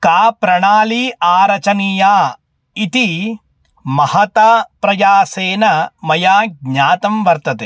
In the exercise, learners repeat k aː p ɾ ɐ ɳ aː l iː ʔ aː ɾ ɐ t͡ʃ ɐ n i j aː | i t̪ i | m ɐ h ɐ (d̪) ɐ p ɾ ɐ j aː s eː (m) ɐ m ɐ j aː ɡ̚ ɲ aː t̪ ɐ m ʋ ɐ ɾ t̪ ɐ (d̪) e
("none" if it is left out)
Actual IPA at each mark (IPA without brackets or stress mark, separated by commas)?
t̪, n, t̪